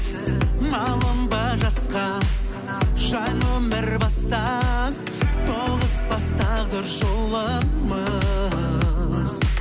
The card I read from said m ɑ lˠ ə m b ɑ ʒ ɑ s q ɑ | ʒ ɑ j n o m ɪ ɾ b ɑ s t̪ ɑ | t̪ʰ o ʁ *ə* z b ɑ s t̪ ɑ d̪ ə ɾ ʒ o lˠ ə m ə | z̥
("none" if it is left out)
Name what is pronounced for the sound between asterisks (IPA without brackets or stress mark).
ə